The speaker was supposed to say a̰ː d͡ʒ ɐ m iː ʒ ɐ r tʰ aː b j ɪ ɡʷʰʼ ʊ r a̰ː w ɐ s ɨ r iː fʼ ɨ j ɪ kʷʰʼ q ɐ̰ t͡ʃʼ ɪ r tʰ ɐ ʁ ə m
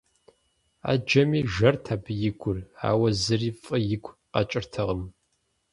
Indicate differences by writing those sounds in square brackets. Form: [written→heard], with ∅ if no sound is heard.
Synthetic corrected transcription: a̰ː d͡ʒ ɐ m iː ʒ ɐ r tʰ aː b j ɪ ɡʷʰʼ ʊ r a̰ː w ɐ [s→z] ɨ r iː fʼ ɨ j ɪ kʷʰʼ q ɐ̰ t͡ʃʼ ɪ r tʰ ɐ ʁ ə m